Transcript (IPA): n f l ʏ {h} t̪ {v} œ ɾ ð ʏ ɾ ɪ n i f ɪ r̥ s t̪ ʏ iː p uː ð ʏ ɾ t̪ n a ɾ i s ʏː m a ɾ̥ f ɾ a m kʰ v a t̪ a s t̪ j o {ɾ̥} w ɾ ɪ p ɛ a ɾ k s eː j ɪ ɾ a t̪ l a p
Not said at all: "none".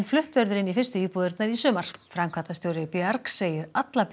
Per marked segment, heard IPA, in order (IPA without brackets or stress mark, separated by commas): h, v, none